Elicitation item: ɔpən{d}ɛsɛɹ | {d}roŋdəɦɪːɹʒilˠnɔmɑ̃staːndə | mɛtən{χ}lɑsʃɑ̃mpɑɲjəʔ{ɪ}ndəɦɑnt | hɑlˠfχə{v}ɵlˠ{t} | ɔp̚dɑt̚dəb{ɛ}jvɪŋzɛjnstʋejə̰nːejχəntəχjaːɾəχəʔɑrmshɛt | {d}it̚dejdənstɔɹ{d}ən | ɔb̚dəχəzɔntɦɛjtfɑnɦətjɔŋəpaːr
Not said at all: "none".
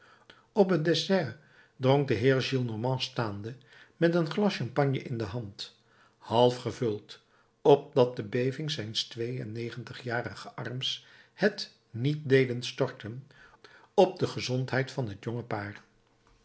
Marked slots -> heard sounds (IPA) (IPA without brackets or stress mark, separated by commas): d, d, χ, ɪ, v, t, e, n, t